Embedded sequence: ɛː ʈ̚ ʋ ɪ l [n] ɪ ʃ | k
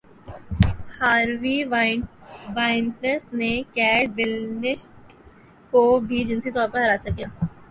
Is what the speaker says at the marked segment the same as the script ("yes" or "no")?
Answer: yes